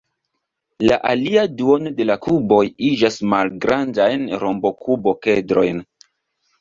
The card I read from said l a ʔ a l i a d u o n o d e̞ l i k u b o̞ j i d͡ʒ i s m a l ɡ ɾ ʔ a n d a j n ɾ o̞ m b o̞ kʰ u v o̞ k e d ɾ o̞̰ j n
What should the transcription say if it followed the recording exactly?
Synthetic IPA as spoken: l a ʔ a l i a d u o n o d e̞ l a k u b o̞ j i d͡ʒ a s m a l ɡ ɾ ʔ a n d a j n ɾ o̞ m b o̞ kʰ u b o̞ k e d ɾ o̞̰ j n